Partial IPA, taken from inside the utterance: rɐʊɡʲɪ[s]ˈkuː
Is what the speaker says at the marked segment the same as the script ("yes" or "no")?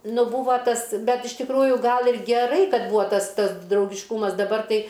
no